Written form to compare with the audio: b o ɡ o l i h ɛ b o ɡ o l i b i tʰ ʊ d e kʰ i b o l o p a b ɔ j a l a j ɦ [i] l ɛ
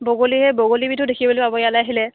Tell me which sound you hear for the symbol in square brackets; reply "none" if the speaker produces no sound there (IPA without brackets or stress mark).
i